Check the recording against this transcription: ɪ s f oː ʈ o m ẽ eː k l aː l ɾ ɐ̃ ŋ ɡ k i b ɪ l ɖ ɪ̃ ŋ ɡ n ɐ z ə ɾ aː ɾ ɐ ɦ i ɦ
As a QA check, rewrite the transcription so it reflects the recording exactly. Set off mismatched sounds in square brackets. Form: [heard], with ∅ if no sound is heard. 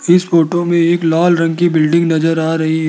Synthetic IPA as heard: ɪ s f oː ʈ o m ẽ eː k l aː l ɾ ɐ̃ ŋ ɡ k i b ɪ l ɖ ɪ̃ ŋ ɡ n ɐ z ə ɾ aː ɾ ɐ ɦ i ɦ